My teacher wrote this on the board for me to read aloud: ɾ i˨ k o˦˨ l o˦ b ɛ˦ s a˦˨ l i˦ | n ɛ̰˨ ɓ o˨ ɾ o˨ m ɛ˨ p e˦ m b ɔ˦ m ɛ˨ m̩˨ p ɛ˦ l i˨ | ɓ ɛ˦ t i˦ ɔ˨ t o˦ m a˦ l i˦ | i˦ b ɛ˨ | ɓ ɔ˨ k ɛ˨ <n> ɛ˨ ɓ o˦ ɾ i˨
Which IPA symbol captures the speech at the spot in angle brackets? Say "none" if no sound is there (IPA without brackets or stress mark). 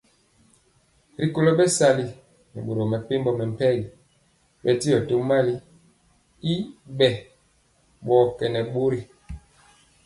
n